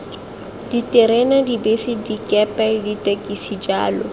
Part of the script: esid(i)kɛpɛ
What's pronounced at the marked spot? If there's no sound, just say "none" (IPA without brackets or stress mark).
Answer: i